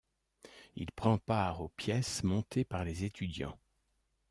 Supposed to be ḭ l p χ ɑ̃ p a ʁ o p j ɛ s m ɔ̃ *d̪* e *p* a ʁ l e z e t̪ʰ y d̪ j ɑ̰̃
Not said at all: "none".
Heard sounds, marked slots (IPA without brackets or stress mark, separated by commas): t̪, p